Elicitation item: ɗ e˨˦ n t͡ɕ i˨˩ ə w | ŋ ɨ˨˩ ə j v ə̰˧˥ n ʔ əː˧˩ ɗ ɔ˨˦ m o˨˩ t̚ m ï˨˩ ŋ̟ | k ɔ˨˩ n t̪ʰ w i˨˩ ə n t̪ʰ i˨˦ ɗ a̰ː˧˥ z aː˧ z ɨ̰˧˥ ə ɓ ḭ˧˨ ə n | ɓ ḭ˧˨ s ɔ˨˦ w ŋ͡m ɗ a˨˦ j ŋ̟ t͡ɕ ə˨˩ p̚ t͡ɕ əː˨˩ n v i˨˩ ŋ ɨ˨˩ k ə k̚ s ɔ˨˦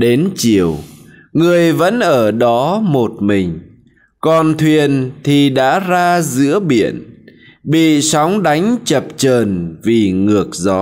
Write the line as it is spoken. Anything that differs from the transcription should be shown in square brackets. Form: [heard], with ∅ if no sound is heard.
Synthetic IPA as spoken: ɗ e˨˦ n t͡ɕ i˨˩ ə w | ŋ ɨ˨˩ ə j v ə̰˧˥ n ʔ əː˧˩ ɗ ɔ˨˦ m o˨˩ t̚ m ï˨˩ ŋ̟ | k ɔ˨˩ n t̪ʰ w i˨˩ ə n t̪ʰ [i˨˩] ɗ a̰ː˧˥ z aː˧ z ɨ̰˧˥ ə ɓ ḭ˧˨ ə n | ɓ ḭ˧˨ s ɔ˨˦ w ŋ͡m ɗ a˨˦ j ŋ̟ t͡ɕ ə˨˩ p̚ t͡ɕ əː˨˩ n v i˨˩ ŋ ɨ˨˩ [∅] ə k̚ [z] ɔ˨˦

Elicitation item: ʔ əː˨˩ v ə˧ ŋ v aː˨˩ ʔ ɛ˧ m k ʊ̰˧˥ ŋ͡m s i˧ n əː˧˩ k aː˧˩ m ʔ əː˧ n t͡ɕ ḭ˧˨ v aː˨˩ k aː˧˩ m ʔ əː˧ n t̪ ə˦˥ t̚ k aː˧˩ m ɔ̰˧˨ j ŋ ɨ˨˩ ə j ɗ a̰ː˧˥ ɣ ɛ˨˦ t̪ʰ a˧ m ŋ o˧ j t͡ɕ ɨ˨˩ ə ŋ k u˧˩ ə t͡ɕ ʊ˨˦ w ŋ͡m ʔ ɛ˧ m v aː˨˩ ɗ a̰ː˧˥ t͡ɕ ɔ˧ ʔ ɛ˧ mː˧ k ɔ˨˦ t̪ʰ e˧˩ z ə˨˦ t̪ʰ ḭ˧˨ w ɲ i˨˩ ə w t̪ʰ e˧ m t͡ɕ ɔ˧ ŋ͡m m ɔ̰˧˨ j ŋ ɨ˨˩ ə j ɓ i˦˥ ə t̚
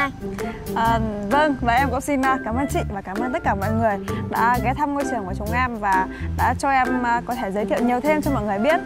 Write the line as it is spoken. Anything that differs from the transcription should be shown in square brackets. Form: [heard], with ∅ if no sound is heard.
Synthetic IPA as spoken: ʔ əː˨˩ v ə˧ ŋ v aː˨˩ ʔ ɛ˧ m k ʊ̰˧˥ ŋ͡m s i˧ n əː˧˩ k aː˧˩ m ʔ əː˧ n t͡ɕ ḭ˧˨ v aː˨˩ k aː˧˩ m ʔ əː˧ n t̪ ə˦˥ t̚ k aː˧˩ m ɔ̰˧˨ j ŋ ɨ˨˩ ə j ɗ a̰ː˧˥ ɣ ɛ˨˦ t̪ʰ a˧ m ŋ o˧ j t͡ɕ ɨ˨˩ ə ŋ k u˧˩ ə t͡ɕ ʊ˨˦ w ŋ͡m ʔ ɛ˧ m v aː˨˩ ɗ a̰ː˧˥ t͡ɕ ɔ˧ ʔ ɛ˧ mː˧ k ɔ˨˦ t̪ʰ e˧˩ z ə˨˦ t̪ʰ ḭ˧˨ w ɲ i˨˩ ə w t̪ʰ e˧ m t͡ɕ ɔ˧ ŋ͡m m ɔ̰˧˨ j ŋ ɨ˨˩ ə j ɓ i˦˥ ə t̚

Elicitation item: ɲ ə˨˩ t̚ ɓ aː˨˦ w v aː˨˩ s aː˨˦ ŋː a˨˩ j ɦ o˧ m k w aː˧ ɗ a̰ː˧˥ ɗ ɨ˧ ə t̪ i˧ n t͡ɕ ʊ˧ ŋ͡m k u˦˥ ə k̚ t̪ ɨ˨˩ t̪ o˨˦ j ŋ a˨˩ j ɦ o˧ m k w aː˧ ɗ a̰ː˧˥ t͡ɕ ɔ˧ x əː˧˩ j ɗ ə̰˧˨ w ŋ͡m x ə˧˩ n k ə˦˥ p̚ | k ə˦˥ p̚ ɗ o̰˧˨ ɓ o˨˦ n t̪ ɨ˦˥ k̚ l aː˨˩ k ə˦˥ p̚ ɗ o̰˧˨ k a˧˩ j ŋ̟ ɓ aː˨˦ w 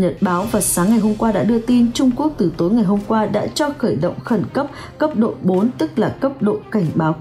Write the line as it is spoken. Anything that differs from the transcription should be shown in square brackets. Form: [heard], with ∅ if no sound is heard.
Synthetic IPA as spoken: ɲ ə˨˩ t̚ ɓ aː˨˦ w v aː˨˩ s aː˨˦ ŋː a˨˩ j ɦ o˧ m k w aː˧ ɗ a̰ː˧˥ ɗ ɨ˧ ə t̪ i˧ n t͡ɕ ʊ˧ ŋ͡m k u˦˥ ə k̚ t̪ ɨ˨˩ t̪ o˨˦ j ŋ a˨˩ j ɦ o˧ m k w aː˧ ɗ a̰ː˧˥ t͡ɕ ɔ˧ x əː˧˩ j ɗ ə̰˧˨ w ŋ͡m x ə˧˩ n k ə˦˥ p̚ | k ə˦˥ p̚ ɗ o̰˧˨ ɓ o˨˦ n t̪ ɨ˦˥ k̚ l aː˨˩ k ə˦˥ p̚ ɗ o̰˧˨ k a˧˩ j ŋ̟ ɓ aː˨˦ w

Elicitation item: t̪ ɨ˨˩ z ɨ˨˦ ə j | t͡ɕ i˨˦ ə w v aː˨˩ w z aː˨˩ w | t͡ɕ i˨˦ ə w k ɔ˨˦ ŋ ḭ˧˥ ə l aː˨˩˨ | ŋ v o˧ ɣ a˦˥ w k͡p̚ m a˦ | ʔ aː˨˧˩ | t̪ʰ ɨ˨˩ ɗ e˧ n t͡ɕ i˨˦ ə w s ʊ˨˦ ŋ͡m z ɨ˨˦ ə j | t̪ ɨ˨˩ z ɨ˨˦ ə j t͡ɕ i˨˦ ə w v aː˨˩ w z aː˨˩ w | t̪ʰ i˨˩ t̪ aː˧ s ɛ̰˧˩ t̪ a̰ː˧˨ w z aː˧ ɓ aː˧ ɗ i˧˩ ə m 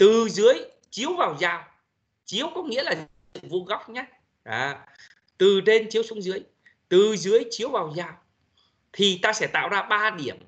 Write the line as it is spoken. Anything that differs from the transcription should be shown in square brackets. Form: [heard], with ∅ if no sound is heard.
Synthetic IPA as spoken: t̪ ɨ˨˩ z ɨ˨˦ ə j | t͡ɕ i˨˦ ə w v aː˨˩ w z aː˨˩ w | t͡ɕ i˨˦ ə w k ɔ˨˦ ŋ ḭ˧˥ ə l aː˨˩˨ | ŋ v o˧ ɣ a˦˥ w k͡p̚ [ɲ] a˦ | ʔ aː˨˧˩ | [t̪] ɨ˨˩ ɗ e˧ n t͡ɕ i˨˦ ə w s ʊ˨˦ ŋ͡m z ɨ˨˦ ə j | t̪ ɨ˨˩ z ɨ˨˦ ə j t͡ɕ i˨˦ ə w v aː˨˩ w z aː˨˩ w | t̪ʰ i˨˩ t̪ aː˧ s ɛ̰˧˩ t̪ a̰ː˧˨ w z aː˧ ɓ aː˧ ɗ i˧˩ ə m

